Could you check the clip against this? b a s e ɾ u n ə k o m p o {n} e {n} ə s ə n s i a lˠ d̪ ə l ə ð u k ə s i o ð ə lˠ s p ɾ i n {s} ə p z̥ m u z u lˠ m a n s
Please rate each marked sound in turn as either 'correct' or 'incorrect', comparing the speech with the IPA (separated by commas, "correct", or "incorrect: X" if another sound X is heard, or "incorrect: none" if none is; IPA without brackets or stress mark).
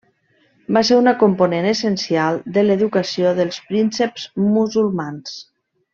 correct, correct, correct